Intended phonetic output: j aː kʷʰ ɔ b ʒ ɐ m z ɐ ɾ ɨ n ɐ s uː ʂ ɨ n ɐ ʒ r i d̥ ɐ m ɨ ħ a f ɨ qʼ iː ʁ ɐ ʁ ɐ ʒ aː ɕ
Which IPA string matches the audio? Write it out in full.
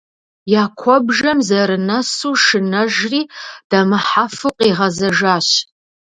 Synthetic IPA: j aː kʷʰ ɔ b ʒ ɐ m z ɐ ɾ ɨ n ɐ s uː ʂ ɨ n ɐ ʒ r iː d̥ ɐ m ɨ ħ a f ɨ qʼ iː ʁ ɐ z ɐ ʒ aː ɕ